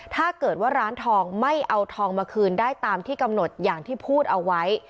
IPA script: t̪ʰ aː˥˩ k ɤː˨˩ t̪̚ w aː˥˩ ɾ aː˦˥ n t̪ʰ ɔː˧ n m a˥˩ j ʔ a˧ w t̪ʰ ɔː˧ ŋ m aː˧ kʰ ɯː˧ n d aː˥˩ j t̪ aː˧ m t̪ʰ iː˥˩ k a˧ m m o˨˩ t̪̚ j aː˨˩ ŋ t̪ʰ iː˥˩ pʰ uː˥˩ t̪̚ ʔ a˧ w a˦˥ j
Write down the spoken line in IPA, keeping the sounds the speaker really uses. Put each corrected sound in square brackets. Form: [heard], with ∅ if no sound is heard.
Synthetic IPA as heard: t̪ʰ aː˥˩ k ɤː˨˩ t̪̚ w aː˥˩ ɾ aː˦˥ n t̪ʰ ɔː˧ [ŋ] m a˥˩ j ʔ a˧ w t̪ʰ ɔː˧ ŋ m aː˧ kʰ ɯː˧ n d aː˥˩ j t̪ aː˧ m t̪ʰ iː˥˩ k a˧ m [n] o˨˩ t̪̚ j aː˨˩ ŋ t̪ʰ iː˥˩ pʰ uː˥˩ t̪̚ ʔ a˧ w a˦˥ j